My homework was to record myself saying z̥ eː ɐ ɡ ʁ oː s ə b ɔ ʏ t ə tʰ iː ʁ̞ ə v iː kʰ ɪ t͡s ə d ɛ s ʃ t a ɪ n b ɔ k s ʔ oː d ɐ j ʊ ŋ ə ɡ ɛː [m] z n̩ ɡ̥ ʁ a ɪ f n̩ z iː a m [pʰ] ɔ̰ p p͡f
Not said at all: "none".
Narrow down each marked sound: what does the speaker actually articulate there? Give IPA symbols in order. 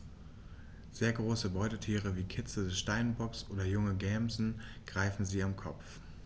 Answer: m, kʰ

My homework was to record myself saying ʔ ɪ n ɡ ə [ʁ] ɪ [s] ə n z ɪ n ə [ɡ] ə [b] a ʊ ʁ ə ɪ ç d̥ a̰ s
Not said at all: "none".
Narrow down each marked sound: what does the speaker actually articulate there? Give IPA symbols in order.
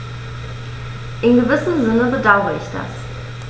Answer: v, s, b, d

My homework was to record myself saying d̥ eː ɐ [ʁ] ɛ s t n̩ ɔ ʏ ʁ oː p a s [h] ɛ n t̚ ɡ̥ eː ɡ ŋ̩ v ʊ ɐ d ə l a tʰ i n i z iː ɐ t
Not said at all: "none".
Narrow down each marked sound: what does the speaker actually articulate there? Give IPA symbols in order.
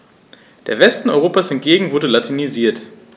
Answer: v, h

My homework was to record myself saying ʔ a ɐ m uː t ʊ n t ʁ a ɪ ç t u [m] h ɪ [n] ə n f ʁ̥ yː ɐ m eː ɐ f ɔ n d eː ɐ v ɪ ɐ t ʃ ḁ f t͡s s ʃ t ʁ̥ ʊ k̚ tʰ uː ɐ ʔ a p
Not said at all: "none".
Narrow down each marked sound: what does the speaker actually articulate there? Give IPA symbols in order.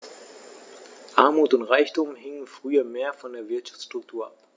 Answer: m, ŋ

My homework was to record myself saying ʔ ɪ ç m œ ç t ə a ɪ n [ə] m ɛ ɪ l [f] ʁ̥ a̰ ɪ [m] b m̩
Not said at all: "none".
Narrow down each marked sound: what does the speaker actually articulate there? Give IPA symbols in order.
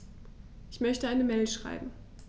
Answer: ə, ʃ, none

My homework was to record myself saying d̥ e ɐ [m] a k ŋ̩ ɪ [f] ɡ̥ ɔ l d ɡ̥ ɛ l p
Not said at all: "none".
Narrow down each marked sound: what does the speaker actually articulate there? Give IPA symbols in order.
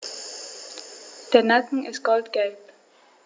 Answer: n, s

